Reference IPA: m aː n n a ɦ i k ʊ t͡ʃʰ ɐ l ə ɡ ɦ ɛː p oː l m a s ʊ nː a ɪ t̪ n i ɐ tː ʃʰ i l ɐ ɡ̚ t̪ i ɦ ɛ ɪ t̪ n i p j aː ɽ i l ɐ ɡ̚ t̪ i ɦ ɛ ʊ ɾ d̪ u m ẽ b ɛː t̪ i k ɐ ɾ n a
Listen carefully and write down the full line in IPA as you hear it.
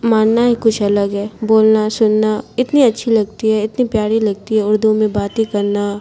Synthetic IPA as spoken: m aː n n a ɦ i k ʊ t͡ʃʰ ɐ l ə ɡ ɦ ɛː b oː l n a s ʊ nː a ɪ t̪ n i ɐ tː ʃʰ i l ɐ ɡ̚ t̪ i ɦ ɛ ɪ t̪ n i p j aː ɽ i l ɐ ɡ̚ t̪ i ɦ ɛ ʊ ɾ d̪ u m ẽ b aː t̪ i k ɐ ɾ n a